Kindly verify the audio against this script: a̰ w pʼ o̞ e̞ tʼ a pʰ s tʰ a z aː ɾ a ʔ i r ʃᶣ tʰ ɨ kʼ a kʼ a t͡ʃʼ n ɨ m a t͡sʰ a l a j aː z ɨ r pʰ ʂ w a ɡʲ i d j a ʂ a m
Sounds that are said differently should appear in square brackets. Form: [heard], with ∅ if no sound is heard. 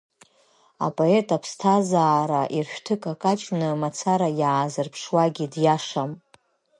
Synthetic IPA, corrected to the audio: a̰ [∅] pʼ o̞ e̞ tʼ a pʰ s tʰ a z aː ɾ a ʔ i r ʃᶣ tʰ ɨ kʼ a kʼ a t͡ʃʼ n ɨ m a t͡sʰ a [ɾ] a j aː z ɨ r pʰ ʂ w a ɡʲ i d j a ʂ a m